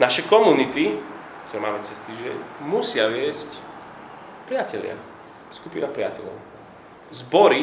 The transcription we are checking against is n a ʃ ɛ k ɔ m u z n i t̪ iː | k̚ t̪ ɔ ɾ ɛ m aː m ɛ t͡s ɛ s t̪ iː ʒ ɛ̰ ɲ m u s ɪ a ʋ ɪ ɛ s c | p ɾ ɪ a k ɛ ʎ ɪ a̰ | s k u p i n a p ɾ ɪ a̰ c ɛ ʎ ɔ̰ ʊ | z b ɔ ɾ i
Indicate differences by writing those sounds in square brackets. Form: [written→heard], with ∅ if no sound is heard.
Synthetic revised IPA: n a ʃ ɛ k ɔ m u [z→∅] n i t̪ [iː→i] | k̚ t̪ ɔ ɾ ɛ m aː m ɛ t͡s ɛ s t̪ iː ʒ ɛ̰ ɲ m u s ɪ a ʋ ɪ ɛ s c | p ɾ ɪ a [k→c] ɛ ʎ ɪ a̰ | s k u p i n a p ɾ ɪ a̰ c ɛ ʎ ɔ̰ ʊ | z b ɔ ɾ i